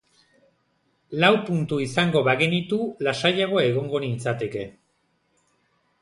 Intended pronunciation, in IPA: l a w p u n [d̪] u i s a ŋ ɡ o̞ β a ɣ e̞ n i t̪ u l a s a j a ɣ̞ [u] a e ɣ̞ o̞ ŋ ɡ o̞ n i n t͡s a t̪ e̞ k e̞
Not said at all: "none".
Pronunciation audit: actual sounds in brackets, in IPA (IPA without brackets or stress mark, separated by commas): t̪, o